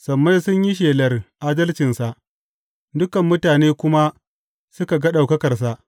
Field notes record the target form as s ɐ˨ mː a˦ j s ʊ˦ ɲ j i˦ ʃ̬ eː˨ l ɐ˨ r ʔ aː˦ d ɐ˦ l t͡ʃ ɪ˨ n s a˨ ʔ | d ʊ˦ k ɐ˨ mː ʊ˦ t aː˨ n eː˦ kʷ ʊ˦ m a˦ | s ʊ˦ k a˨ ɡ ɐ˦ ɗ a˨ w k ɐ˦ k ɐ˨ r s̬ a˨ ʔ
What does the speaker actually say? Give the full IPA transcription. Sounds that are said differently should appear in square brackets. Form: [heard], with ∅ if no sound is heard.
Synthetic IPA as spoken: s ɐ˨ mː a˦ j s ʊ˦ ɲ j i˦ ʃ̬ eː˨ l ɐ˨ r ʔ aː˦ d ɐ˦ l t͡ʃ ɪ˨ n s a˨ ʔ | d ʊ˦ k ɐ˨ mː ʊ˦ t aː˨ n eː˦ kʷ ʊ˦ m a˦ | s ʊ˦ k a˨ ɡ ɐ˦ ɗ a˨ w k ɐ˦ k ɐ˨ r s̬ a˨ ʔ